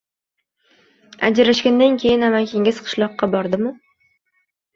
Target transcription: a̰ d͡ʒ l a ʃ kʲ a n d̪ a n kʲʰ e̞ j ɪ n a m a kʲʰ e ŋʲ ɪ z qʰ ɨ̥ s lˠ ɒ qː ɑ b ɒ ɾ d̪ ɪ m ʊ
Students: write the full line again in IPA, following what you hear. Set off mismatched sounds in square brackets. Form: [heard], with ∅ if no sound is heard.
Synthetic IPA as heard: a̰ d͡ʒ [ɾ] a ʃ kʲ a n d̪ a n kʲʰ e̞ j ɪ n a m a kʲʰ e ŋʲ ɪ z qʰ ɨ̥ [ʃ] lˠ ɒ qː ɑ b ɒ ɾ d̪ ɪ m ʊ